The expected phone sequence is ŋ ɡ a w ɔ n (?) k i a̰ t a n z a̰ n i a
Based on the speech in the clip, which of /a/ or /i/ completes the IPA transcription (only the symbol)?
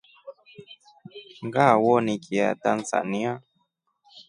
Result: i